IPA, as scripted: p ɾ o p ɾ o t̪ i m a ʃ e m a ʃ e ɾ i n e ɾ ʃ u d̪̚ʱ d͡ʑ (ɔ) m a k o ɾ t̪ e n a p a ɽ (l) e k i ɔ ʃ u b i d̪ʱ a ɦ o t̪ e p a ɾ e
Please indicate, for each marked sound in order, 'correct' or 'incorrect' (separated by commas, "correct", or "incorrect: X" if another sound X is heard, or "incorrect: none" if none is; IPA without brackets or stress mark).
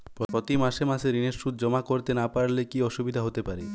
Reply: correct, correct